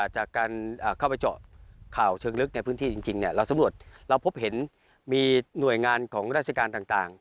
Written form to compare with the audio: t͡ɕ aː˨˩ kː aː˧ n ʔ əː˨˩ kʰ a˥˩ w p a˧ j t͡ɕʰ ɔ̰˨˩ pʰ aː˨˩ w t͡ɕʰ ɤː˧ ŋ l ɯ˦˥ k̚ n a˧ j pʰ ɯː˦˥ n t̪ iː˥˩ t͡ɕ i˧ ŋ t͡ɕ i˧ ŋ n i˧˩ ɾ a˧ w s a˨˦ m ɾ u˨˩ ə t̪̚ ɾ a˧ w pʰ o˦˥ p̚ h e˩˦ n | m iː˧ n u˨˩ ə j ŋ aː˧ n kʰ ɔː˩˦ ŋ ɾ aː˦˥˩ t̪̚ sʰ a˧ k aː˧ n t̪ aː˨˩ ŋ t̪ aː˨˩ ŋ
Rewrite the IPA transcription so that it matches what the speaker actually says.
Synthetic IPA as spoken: t͡ɕ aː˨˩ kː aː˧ n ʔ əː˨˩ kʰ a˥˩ w p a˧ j t͡ɕ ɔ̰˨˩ kʰ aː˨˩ w t͡ɕʰ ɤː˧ ŋ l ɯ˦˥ k̚ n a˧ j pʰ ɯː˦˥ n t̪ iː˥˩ t͡ɕ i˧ ŋ t͡ɕ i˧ ŋ n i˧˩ ɾ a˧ w s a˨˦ m ɾ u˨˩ ə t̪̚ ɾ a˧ w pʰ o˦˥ p̚ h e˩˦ n | m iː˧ n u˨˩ ə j ŋ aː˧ n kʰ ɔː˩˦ ŋ ɾ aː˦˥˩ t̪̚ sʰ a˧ k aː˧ n t̪ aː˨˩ ŋ t̪ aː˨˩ ŋ